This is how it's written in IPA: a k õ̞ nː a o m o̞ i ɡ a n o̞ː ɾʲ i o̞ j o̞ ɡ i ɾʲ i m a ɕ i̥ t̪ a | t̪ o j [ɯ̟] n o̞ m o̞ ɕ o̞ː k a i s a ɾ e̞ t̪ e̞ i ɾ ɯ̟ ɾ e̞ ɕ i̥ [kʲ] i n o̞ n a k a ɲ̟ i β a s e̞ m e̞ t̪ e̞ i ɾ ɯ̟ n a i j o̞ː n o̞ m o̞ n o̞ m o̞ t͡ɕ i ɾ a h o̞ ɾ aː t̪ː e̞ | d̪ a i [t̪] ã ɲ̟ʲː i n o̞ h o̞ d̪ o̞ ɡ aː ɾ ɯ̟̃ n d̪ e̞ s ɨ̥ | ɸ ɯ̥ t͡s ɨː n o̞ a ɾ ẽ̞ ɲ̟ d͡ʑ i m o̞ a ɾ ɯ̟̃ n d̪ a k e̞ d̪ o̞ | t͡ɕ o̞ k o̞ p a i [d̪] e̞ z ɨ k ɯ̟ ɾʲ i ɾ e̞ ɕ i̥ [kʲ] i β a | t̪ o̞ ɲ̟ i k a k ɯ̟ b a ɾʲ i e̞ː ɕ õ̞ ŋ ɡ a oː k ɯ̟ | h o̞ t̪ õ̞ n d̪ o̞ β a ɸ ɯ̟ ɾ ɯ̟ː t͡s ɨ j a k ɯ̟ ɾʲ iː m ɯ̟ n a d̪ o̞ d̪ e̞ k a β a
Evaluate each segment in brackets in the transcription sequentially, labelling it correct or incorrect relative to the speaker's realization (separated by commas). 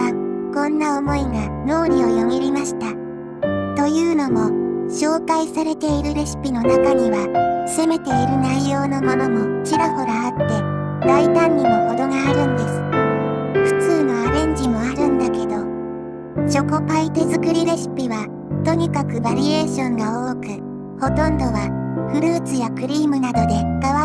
incorrect, incorrect, correct, incorrect, incorrect